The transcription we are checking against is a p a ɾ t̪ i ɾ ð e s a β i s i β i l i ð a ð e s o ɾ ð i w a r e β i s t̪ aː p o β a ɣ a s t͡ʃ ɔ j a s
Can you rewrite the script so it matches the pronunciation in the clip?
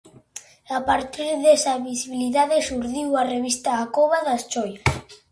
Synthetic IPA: a p a ɾ t̪ i ɾ ð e s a β i s i β i l i ð a ð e s u ɾ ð i w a r e β i s t̪ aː k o β a ð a s t͡ʃ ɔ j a s